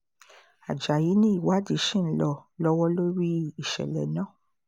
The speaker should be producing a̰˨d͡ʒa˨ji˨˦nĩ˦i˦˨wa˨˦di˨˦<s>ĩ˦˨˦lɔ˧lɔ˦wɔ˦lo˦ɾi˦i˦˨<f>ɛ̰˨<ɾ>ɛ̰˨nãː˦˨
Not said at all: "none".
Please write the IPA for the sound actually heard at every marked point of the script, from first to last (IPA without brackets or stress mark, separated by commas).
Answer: ʃ, ʃ, l